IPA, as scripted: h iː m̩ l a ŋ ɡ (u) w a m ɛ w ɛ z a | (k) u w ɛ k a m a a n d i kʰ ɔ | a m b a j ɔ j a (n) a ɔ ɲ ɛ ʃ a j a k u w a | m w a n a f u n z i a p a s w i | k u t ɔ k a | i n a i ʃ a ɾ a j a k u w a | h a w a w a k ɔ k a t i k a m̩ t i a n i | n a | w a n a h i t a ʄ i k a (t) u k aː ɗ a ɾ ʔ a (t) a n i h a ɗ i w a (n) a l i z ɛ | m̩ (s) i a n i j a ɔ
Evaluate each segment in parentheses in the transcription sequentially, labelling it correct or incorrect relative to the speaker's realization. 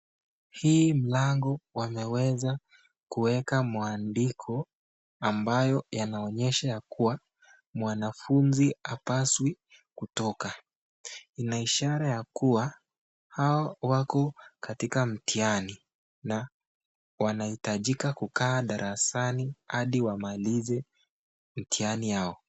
incorrect, correct, correct, incorrect, incorrect, incorrect, incorrect

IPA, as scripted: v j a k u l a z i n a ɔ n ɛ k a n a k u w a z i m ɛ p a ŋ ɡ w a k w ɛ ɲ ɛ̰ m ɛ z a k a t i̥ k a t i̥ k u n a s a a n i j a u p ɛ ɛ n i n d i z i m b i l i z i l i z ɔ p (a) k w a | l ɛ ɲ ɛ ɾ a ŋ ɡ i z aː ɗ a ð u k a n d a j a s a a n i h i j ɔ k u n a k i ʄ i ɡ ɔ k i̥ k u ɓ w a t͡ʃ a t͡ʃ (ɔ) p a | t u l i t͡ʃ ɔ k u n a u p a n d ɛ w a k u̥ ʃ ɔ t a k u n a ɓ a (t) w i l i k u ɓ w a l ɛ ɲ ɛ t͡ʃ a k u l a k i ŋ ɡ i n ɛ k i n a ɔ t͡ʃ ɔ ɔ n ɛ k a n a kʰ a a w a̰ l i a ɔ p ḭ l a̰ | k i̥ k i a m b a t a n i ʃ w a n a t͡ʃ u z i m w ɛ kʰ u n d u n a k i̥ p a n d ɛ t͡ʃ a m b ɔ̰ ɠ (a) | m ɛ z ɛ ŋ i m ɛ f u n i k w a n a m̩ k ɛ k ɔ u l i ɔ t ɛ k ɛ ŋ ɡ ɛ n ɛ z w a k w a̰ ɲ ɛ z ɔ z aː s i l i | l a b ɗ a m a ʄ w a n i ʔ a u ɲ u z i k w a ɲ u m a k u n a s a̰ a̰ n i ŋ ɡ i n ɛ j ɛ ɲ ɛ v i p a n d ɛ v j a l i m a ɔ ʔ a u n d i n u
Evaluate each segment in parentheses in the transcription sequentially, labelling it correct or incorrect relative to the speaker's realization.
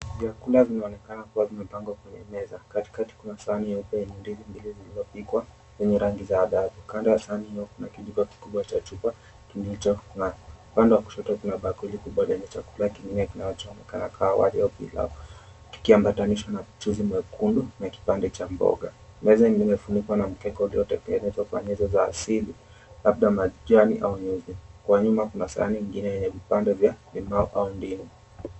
incorrect, incorrect, incorrect, correct

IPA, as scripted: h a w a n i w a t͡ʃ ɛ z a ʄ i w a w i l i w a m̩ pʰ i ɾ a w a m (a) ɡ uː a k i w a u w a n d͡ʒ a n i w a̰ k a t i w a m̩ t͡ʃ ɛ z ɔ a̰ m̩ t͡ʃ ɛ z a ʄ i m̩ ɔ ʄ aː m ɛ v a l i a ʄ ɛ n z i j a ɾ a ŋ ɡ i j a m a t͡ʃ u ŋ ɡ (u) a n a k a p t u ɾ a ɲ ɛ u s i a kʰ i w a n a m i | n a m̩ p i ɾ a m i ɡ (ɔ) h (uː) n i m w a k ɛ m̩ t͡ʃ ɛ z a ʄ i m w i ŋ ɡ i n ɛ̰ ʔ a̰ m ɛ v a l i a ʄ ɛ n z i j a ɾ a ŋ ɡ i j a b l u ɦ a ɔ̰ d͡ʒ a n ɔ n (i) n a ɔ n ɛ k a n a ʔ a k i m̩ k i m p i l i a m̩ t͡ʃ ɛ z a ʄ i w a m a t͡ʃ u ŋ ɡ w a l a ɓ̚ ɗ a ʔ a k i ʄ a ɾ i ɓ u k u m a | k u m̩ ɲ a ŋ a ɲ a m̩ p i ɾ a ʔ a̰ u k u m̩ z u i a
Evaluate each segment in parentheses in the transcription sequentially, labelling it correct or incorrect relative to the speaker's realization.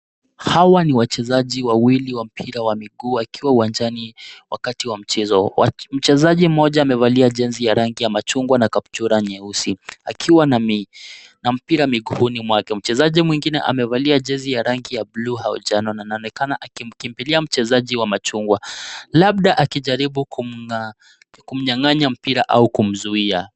incorrect, incorrect, incorrect, incorrect, incorrect

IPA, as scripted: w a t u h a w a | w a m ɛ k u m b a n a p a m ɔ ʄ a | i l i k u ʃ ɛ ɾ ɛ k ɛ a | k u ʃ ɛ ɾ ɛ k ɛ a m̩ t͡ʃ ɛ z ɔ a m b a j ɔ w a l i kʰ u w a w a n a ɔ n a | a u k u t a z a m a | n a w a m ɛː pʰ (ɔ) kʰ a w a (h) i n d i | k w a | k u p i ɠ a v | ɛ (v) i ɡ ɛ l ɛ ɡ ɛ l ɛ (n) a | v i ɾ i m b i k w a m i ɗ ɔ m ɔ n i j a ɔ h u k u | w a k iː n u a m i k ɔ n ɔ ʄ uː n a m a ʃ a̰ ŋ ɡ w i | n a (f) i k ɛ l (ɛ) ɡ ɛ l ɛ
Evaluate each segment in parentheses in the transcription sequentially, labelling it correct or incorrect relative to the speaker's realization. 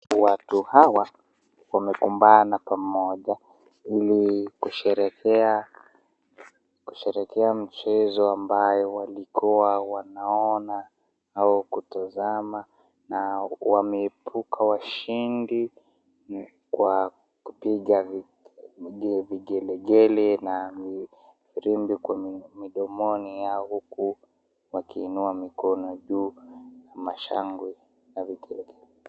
incorrect, incorrect, correct, correct, incorrect, correct

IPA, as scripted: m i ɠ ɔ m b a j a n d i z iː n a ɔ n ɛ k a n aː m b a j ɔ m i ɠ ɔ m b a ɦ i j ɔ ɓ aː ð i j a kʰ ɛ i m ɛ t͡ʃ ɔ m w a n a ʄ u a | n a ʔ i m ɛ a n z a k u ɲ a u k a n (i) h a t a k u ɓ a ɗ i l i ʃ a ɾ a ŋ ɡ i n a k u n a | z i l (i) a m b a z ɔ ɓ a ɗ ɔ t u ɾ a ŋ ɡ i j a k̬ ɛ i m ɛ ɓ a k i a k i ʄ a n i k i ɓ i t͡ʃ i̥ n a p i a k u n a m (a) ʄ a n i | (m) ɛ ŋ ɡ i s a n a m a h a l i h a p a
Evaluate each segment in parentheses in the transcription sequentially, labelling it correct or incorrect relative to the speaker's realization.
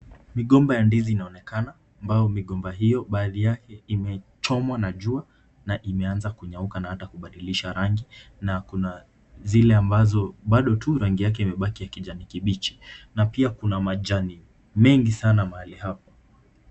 incorrect, incorrect, correct, correct

